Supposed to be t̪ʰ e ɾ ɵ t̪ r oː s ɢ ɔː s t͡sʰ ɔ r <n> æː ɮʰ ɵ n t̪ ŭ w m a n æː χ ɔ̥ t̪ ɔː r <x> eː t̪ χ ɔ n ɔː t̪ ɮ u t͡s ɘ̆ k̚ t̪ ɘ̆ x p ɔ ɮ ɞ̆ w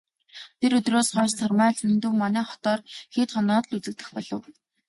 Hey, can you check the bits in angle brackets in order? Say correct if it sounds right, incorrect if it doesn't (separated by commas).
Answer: incorrect, correct